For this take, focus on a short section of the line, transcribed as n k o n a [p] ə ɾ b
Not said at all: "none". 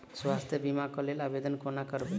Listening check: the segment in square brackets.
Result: k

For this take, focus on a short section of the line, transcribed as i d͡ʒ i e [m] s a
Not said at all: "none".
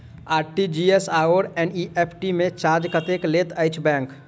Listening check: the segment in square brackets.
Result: none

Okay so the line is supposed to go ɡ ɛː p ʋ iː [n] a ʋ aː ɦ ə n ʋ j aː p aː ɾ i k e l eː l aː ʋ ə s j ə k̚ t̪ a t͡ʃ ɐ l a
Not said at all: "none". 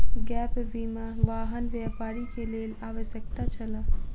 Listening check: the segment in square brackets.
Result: m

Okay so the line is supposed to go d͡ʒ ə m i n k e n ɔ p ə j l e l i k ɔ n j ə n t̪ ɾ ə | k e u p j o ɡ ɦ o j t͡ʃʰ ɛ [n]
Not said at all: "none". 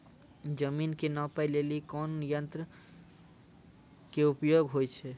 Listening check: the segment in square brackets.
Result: none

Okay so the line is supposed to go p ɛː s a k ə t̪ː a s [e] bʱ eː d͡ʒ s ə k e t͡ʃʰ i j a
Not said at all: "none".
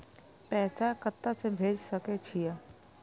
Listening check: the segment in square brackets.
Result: e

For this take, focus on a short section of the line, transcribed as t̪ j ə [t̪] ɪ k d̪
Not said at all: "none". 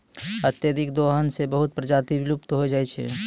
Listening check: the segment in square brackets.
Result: d̪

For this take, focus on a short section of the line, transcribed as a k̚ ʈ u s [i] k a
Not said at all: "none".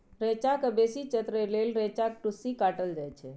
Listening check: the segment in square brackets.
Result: i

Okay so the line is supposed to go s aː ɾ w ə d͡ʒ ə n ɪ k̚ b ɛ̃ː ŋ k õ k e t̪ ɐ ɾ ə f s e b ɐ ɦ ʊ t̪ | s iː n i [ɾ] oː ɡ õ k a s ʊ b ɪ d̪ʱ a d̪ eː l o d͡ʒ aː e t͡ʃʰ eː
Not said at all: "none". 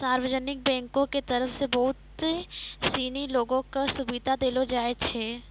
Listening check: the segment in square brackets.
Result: l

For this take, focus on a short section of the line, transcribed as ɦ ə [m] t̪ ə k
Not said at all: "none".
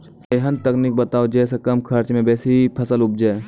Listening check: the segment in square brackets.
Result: n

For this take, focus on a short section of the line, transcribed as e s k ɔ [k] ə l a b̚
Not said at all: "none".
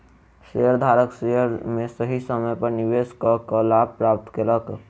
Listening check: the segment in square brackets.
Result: k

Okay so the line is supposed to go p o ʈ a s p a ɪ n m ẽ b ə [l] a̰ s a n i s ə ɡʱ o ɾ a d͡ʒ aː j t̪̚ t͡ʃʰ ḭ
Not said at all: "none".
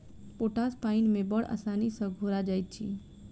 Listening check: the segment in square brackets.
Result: ɽ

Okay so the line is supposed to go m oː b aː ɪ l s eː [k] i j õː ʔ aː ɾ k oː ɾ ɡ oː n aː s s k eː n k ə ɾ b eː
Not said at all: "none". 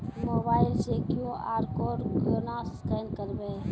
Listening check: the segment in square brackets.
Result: k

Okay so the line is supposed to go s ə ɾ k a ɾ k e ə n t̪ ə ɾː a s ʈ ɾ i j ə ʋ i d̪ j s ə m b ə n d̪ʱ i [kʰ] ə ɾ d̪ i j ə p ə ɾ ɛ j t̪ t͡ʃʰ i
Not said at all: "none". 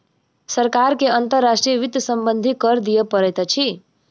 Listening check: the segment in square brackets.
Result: k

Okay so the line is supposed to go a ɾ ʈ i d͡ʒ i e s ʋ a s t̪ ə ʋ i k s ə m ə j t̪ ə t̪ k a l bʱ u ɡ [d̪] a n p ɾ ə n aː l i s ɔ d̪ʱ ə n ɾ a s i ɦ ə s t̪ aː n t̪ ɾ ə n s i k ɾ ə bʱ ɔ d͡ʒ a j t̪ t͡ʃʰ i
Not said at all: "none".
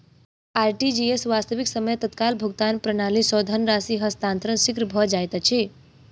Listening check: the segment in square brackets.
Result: t̪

